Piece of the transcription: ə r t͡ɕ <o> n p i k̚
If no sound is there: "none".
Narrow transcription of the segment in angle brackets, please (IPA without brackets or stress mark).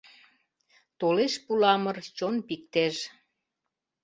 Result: o